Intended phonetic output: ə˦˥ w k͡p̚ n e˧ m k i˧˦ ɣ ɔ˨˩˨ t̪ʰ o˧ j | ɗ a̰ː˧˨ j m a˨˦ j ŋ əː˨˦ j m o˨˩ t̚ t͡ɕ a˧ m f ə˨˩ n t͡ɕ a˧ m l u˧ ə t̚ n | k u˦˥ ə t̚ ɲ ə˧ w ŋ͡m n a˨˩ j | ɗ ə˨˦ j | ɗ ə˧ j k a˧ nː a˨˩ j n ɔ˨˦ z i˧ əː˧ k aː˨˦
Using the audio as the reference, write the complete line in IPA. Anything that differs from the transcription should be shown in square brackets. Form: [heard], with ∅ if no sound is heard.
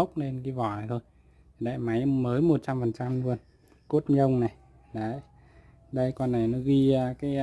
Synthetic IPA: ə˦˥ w k͡p̚ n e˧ [n] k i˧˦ [v] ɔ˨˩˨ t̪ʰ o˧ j | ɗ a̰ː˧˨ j m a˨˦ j [m] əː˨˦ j m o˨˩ t̚ t͡ɕ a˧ m f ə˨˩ n t͡ɕ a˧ m l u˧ ə [∅] n | k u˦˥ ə t̚ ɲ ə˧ w ŋ͡m n a˨˩ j | ɗ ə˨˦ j | ɗ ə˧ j k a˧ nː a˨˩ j n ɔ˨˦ [ɣ] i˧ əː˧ k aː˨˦